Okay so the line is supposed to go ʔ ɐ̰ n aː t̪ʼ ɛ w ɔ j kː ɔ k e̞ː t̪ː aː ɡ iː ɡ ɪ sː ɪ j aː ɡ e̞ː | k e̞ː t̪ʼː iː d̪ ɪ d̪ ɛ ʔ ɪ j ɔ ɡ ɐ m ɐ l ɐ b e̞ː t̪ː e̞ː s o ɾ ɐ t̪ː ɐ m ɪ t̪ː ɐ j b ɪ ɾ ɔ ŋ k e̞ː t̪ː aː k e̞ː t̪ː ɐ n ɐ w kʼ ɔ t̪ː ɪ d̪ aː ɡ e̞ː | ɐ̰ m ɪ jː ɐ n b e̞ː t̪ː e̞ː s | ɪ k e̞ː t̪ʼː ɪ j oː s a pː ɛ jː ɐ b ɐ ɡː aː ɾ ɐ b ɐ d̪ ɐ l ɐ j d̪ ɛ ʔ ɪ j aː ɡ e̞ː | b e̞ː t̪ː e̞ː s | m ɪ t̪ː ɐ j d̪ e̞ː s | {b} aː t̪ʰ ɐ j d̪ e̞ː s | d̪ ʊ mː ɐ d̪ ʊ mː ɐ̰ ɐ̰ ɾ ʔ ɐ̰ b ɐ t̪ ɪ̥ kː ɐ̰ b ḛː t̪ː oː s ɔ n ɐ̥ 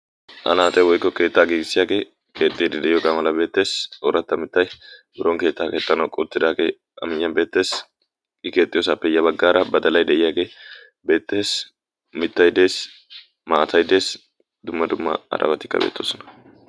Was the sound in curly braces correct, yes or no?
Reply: no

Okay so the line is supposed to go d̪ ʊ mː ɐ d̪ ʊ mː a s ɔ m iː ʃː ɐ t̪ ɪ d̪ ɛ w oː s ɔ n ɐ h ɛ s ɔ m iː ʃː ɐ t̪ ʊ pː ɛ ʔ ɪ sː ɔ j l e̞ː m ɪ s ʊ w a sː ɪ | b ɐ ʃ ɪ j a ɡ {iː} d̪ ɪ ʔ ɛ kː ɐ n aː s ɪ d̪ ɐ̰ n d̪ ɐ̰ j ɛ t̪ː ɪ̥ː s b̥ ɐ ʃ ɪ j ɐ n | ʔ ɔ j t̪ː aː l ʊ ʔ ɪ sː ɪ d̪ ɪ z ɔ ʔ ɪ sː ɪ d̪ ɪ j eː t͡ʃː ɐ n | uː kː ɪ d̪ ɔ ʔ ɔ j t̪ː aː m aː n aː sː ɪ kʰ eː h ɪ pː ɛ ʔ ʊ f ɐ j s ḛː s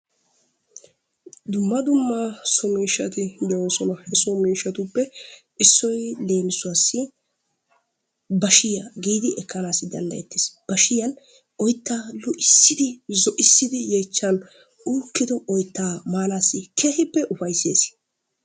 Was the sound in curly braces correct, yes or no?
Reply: yes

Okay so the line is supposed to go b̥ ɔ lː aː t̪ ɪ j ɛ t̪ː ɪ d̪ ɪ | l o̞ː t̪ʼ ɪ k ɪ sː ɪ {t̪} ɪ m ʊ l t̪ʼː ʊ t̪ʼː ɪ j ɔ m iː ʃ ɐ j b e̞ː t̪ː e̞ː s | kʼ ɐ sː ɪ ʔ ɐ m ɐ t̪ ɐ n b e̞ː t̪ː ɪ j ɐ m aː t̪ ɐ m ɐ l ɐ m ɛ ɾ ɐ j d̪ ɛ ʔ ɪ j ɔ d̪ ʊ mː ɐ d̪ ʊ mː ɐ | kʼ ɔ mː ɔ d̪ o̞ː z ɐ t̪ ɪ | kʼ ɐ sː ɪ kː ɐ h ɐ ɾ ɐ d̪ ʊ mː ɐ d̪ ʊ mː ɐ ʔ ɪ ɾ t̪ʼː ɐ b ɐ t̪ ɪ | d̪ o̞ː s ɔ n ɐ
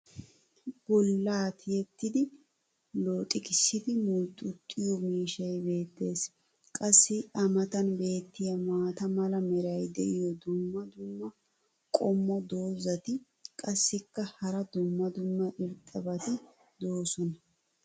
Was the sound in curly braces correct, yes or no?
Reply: no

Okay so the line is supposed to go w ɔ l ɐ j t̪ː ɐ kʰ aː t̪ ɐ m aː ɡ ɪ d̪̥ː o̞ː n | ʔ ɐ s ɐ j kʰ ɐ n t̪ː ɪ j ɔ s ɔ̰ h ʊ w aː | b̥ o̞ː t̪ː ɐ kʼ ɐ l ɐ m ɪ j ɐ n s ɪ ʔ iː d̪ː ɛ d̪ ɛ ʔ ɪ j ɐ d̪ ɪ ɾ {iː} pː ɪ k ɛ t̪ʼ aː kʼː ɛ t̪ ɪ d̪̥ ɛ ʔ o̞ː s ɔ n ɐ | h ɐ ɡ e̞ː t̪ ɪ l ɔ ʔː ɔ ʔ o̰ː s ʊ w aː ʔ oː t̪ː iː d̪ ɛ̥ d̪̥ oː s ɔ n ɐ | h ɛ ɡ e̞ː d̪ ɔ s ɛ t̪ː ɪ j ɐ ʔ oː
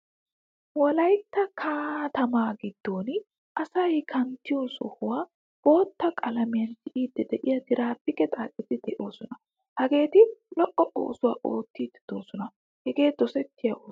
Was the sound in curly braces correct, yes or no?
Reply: no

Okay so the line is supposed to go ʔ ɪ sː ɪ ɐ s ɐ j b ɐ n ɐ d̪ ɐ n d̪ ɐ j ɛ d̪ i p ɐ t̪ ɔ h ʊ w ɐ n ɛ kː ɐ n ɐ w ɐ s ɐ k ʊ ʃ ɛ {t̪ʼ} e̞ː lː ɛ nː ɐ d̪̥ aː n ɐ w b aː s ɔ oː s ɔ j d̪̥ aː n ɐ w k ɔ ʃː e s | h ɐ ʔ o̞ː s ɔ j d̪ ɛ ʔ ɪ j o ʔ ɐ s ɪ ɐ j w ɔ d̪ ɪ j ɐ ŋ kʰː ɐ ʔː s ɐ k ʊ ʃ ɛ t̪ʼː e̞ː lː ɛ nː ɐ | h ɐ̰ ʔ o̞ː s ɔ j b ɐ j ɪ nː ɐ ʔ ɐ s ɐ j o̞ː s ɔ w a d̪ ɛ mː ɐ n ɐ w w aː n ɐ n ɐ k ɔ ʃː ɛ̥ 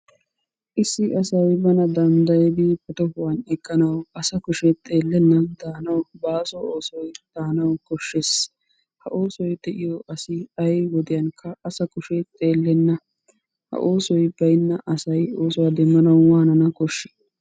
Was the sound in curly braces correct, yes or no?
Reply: yes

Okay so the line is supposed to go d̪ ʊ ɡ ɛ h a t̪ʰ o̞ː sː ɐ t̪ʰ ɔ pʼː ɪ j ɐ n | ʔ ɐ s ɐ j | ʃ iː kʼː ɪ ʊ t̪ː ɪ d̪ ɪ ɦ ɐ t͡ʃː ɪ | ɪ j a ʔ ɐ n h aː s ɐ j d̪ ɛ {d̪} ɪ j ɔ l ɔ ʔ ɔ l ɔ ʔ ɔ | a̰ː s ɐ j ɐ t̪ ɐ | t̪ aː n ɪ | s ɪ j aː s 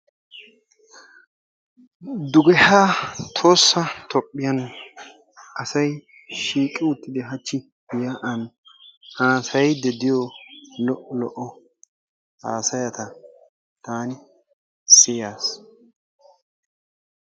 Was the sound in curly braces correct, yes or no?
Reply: yes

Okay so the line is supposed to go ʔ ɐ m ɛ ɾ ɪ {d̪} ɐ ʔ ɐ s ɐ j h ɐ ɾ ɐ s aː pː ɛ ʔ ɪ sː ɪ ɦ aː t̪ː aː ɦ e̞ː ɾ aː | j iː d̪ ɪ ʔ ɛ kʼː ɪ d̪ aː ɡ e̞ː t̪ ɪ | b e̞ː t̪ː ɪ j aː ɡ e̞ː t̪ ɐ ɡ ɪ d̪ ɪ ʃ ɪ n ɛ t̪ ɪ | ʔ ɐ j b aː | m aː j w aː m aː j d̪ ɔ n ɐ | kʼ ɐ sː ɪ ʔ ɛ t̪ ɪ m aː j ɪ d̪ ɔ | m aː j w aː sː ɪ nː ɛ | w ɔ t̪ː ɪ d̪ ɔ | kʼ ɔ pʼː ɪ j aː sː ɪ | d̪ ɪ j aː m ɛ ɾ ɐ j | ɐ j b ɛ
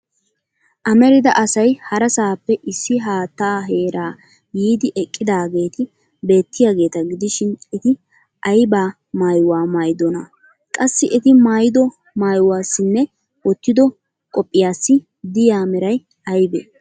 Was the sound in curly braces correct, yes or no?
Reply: yes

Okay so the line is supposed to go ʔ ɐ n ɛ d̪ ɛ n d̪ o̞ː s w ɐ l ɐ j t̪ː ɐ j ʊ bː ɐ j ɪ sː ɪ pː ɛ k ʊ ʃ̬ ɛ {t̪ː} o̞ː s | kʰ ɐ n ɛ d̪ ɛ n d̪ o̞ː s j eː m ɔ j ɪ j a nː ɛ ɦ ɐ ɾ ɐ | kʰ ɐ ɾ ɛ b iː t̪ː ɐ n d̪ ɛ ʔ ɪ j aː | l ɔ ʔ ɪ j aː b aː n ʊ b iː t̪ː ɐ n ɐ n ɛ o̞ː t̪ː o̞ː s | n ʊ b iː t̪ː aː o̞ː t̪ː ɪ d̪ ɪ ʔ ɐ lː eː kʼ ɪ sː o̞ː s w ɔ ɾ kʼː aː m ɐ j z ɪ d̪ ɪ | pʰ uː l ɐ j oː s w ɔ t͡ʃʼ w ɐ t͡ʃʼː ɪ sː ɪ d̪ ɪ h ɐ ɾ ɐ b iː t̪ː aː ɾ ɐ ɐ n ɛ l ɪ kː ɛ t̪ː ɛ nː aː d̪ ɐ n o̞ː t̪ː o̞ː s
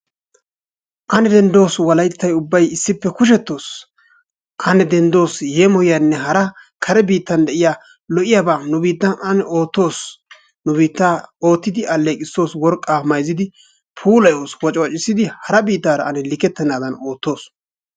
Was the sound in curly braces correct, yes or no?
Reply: yes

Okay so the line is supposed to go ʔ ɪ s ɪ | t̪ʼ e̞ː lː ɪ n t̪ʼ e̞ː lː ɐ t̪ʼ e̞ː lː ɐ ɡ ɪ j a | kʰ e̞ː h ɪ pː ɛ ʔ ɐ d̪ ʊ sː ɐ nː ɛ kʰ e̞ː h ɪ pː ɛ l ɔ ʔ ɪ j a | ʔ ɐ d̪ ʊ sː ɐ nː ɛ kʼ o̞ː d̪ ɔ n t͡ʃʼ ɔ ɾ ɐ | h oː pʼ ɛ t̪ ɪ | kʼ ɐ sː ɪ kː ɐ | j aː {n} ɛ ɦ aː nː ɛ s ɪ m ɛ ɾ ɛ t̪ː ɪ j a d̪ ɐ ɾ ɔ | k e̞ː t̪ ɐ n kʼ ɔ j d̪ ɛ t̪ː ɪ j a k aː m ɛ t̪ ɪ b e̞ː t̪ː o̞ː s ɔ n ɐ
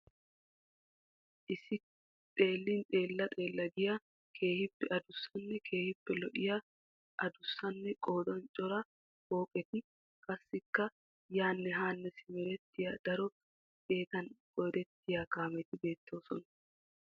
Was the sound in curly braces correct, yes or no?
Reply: no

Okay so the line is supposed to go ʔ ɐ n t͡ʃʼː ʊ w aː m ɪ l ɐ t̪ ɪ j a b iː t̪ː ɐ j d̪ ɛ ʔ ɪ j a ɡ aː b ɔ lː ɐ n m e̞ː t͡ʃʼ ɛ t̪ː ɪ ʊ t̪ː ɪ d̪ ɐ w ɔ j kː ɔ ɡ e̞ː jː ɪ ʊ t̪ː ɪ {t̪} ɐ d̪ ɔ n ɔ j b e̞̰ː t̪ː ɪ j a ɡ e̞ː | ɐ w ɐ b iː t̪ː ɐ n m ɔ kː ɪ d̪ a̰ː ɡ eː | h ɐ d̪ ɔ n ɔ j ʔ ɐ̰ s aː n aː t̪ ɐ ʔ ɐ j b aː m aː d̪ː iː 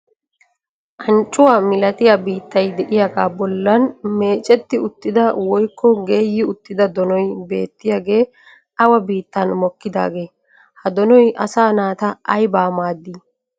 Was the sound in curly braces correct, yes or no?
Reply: no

